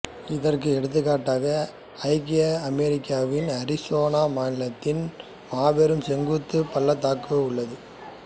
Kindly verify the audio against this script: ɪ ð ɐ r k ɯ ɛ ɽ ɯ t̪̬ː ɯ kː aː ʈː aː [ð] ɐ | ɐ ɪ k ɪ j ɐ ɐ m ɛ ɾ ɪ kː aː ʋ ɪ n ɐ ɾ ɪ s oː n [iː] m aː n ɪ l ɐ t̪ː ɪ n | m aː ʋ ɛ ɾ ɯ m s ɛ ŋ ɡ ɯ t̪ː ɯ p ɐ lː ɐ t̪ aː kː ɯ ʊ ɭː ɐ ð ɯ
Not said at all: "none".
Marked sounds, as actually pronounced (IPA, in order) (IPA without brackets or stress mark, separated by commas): ɣ, aː